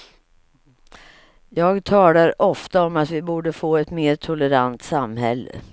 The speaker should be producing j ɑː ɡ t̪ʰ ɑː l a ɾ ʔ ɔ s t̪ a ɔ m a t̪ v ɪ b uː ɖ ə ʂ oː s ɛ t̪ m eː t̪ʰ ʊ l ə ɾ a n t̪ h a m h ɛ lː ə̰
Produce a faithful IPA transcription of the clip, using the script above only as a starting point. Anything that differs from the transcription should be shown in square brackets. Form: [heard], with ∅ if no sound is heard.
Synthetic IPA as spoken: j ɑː ɡ t̪ʰ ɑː l a ɾ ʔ ɔ [f] t̪ a ɔ m a t̪ v ɪ b uː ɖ ə [f] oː [∅] ɛ t̪ m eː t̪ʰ ʊ l ə ɾ a n t̪ [s] a m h ɛ lː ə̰